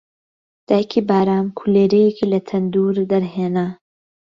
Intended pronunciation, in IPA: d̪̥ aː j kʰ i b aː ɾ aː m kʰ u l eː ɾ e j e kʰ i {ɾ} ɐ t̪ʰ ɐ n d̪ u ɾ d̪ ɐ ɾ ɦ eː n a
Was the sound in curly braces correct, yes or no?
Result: no